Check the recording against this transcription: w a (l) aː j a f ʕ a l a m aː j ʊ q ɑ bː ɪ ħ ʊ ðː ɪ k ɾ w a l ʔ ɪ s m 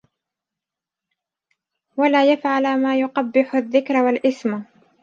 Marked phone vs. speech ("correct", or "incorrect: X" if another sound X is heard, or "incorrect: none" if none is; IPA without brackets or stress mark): correct